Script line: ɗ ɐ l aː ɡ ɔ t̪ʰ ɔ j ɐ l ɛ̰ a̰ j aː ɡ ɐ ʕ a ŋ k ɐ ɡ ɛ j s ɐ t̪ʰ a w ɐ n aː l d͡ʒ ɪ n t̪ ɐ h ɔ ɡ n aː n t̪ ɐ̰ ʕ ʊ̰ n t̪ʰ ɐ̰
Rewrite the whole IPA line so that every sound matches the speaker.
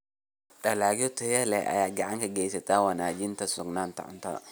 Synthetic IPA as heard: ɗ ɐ l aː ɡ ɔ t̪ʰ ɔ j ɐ l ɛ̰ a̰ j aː ɡ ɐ ʕ a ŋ k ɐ ɡ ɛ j s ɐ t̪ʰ a w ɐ n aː d͡ʒ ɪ n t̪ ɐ s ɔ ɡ n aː n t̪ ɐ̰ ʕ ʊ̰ n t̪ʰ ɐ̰